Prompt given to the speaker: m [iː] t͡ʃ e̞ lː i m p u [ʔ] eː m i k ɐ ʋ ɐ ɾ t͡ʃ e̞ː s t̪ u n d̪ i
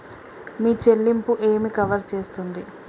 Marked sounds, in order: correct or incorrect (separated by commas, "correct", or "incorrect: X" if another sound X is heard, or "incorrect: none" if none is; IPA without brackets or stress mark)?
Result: correct, correct